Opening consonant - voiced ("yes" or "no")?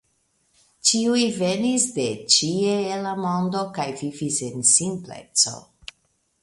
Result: no